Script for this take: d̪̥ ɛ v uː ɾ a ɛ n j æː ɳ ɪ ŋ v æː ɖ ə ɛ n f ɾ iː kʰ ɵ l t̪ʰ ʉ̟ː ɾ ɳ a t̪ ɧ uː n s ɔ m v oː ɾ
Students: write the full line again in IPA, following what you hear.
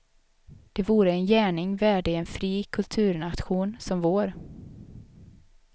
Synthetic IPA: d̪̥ ɛ v uː ɾ ə ɛ n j æː ɳ ɪ ŋ v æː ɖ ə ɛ n f ɾ iː kʰ ɵ l t̪ʰ ʉ̟ː ɾ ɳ a t̪ ɧ uː n s ɔ m v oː ɾ